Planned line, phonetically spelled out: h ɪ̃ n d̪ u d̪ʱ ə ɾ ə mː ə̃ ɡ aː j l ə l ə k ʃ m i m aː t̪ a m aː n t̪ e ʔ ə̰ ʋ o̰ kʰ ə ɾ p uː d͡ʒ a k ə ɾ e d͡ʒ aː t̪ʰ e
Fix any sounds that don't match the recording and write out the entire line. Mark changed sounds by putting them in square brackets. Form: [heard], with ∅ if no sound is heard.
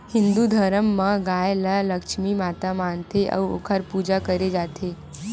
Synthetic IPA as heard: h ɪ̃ n d̪ u d̪ʱ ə ɾ ə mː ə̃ ɡ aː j l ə l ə k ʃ m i m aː t̪ a m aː n t̪ e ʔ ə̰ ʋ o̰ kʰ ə ɾ p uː d͡ʒ a k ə ɾ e d͡ʒ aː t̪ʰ e